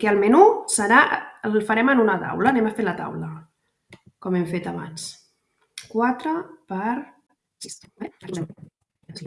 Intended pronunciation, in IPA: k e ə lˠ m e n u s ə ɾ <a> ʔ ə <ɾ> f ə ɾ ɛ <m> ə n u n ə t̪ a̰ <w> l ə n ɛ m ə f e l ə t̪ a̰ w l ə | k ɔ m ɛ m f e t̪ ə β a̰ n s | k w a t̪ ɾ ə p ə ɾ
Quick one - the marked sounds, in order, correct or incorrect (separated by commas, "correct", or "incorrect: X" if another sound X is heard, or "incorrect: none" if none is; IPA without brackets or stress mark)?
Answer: correct, incorrect: l, correct, correct